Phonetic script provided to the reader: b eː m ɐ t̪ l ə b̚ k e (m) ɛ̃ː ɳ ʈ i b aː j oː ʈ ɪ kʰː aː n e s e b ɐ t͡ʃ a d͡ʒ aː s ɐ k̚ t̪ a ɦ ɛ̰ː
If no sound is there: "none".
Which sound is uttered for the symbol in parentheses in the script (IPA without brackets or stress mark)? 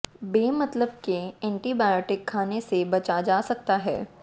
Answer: none